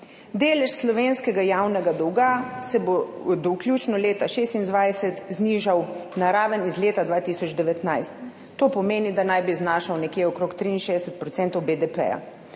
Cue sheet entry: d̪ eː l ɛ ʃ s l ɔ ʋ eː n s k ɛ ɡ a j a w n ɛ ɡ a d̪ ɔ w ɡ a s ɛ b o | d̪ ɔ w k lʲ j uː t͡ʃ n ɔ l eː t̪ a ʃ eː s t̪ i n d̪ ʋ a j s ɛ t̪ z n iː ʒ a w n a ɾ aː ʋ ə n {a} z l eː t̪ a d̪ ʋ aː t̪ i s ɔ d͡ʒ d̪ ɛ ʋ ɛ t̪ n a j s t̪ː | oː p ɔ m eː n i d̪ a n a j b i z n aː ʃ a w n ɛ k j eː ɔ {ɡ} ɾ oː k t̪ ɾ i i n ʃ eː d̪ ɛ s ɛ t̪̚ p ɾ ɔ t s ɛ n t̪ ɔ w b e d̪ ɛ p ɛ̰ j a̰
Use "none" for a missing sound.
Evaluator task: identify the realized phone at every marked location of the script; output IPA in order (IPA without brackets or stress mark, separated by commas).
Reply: i, k